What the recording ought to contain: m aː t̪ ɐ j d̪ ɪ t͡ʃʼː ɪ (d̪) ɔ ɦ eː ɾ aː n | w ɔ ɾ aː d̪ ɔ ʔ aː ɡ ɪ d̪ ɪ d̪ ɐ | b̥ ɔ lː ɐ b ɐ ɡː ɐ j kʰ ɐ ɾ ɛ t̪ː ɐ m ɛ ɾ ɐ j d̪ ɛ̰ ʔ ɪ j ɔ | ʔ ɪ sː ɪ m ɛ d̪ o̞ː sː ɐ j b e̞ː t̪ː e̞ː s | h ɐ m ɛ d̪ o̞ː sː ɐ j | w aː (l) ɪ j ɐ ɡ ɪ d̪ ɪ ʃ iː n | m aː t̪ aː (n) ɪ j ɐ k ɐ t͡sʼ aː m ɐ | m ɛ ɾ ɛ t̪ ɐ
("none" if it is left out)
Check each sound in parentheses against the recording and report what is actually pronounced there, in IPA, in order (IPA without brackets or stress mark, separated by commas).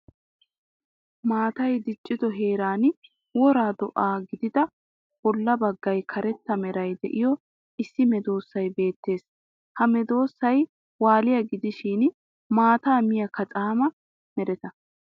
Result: d̪, l, m